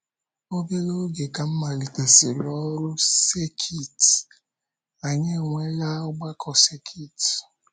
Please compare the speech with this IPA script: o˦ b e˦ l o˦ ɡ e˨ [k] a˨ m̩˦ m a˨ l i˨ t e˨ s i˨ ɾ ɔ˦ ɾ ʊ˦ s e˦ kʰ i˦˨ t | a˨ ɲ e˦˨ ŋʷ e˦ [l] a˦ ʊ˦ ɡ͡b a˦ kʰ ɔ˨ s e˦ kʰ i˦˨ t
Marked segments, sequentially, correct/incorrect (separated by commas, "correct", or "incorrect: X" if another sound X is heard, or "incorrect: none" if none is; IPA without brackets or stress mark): correct, correct